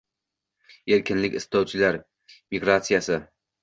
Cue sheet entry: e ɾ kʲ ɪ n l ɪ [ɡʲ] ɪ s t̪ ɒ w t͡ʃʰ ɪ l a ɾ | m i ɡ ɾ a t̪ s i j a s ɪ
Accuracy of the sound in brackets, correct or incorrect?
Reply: incorrect